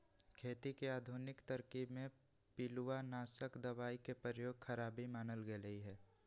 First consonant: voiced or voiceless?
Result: voiceless